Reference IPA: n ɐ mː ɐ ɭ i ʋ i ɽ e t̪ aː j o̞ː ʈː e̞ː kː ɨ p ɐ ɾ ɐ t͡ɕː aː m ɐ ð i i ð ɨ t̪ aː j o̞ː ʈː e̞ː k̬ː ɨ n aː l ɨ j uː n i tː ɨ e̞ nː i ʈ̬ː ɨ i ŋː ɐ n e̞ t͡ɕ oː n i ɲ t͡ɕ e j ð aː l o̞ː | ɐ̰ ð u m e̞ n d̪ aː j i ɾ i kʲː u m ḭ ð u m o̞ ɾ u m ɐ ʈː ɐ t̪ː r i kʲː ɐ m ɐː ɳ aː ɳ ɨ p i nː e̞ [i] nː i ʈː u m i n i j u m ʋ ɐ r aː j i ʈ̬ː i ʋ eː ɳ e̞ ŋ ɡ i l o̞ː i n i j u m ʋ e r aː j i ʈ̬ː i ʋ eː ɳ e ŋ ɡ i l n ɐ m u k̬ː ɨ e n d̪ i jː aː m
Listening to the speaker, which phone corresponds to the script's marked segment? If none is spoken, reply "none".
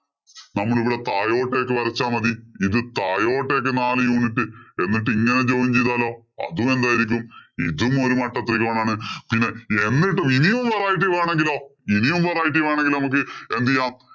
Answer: e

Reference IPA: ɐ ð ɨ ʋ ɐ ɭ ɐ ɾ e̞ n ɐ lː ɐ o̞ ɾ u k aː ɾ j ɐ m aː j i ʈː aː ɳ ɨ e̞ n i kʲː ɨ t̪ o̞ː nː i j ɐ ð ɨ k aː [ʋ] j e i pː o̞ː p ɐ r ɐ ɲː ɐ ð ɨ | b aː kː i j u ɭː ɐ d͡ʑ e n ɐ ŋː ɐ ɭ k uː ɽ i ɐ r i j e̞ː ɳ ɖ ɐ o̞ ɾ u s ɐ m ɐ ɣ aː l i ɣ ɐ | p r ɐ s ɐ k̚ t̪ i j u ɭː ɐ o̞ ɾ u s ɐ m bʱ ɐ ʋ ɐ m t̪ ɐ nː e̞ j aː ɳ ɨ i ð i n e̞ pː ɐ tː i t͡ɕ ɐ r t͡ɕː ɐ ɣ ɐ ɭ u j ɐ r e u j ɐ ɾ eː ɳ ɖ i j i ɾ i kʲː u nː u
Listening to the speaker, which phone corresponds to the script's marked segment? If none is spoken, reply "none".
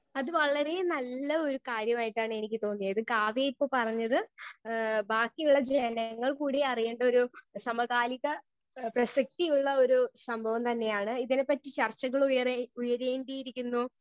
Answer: ʋ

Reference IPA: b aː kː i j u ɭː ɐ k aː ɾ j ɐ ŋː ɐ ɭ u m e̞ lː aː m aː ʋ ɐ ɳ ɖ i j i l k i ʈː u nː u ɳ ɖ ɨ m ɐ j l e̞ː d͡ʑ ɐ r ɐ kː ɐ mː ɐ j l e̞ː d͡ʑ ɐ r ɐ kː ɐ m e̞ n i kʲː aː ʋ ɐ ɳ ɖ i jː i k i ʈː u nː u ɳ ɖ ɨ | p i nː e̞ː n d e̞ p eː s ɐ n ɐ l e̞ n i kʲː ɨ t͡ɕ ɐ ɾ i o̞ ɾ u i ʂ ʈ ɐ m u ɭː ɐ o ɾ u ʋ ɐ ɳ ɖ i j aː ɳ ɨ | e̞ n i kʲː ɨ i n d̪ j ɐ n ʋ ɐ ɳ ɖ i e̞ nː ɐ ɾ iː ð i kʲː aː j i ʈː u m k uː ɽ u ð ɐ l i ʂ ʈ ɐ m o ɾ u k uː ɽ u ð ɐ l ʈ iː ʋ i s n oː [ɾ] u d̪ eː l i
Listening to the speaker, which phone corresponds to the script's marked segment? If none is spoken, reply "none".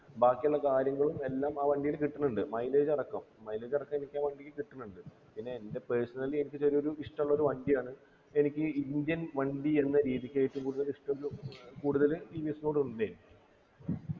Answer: ɽ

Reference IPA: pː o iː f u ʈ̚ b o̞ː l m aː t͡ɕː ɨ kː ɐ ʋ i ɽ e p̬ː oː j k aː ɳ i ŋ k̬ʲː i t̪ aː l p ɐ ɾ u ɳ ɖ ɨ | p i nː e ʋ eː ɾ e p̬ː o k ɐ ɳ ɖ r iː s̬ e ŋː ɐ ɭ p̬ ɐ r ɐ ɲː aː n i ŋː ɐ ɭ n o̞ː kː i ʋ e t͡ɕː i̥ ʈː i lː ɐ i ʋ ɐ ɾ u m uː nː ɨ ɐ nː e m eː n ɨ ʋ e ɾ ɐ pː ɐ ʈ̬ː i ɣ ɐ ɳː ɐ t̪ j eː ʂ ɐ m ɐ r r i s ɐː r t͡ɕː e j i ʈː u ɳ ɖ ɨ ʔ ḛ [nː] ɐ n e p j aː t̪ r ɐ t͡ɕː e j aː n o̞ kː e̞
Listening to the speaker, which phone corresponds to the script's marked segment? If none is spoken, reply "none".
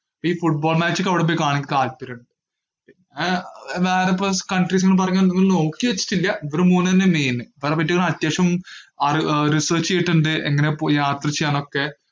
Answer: ŋː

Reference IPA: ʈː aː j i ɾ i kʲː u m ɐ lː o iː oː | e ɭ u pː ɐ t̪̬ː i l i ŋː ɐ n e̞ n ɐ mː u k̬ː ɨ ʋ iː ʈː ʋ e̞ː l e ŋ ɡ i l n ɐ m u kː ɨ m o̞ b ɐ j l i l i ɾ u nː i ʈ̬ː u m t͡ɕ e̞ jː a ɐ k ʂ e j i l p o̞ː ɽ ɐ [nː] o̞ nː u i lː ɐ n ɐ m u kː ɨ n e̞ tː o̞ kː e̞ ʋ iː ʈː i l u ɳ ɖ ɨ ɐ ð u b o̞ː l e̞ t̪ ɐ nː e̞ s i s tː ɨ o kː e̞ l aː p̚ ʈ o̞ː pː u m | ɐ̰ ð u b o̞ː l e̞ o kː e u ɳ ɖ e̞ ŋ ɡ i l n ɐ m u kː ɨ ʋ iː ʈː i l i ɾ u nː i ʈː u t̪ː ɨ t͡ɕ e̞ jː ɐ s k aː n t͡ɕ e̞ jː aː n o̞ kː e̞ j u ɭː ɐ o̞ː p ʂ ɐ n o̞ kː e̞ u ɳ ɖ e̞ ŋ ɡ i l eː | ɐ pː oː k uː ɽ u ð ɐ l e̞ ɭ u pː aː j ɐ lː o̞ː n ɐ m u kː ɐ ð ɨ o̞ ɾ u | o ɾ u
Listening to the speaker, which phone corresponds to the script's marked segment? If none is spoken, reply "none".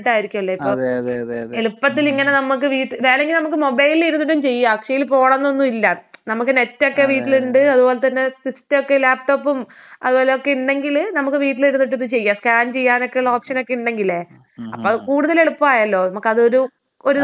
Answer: nː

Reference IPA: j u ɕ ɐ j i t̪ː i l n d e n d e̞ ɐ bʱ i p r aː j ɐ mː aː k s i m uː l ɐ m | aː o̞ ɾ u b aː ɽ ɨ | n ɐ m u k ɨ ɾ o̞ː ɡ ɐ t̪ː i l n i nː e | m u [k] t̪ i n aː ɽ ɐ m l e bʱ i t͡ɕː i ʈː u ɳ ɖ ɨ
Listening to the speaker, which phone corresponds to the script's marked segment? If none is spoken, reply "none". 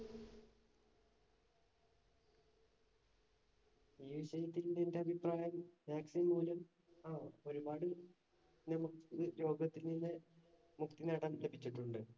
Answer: k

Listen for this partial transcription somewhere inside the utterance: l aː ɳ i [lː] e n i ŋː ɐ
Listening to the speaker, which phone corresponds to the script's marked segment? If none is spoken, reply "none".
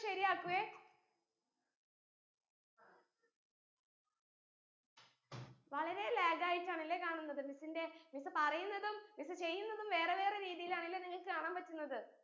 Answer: lː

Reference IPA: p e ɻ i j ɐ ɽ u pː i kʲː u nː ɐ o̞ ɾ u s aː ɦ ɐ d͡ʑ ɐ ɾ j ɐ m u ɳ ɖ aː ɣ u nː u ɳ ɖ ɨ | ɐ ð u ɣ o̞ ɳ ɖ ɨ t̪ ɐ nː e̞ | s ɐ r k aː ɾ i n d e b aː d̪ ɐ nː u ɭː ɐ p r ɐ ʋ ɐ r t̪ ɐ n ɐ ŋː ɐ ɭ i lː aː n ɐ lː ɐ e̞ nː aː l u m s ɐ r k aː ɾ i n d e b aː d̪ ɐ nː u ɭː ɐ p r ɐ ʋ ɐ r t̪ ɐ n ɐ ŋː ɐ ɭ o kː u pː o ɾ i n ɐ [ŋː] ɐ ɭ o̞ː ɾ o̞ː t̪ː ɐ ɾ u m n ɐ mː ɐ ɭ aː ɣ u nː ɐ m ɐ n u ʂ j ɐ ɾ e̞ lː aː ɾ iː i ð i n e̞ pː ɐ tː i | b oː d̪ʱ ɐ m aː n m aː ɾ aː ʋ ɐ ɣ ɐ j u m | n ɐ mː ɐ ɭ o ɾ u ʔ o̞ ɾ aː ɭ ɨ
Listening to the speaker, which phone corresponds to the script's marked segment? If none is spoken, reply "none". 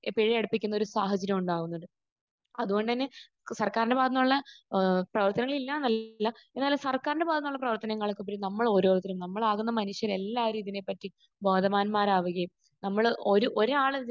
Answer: mː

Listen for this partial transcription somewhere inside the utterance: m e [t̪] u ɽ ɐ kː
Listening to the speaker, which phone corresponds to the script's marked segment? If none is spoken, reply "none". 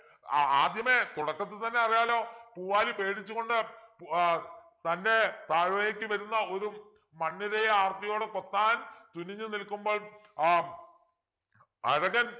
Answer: t̪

